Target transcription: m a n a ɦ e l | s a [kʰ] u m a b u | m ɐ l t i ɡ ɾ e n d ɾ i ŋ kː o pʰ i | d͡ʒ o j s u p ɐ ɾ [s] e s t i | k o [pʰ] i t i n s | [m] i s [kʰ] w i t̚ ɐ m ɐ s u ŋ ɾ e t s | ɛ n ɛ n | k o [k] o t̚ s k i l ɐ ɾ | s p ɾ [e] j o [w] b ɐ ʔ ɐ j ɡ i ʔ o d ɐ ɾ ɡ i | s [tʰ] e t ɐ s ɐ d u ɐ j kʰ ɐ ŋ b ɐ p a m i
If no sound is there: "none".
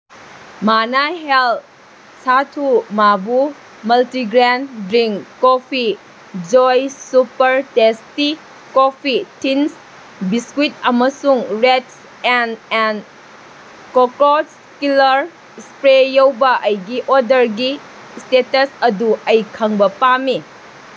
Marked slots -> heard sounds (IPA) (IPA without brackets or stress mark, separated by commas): tʰ, t, pʰ, b, k, k, e, w, t